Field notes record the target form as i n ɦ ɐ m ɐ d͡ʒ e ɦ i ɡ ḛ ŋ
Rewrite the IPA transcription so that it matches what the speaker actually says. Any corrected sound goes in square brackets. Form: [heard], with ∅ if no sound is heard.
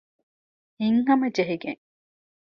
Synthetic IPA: i [ŋ] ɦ ɐ m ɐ d͡ʒ e ɦ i ɡ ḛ ŋ